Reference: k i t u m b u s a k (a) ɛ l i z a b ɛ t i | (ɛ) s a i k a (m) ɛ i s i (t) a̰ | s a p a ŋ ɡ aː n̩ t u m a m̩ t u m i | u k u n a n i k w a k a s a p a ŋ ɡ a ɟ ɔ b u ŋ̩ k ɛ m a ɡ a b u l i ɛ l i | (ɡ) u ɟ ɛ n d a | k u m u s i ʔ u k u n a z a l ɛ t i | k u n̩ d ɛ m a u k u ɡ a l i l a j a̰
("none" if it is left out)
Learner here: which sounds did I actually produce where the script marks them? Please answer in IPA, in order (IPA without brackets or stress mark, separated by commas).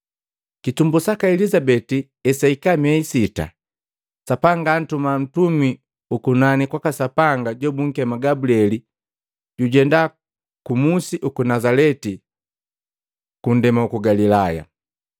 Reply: a, ɛ, m, t, ɟ